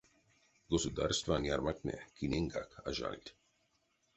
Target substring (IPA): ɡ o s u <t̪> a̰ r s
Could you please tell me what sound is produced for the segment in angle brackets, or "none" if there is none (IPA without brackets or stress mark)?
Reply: d̪